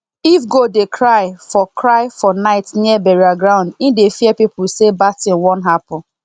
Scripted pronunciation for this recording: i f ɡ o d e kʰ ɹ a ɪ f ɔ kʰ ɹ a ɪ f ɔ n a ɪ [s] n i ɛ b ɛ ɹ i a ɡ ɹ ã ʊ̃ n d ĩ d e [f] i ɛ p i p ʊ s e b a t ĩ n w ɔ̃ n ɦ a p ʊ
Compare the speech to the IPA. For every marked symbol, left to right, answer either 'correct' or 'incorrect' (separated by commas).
incorrect, correct